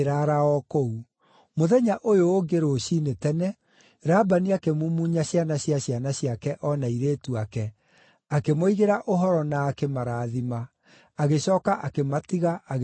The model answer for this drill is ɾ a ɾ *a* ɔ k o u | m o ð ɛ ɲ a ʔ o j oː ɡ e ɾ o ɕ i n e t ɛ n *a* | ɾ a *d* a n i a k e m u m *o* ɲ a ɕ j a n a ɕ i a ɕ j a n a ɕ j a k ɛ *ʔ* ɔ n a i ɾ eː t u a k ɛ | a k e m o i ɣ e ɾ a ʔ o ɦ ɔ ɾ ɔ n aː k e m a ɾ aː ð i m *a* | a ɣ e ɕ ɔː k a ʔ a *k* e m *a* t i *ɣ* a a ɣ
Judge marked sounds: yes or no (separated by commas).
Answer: yes, no, no, no, yes, yes, yes, yes, yes